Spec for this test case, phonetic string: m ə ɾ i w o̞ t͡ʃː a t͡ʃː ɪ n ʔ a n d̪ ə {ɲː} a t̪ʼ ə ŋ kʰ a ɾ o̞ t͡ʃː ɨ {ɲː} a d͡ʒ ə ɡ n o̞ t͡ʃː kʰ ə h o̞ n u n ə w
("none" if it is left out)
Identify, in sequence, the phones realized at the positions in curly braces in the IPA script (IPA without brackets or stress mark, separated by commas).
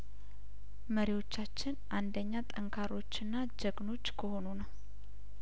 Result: ɲː, nː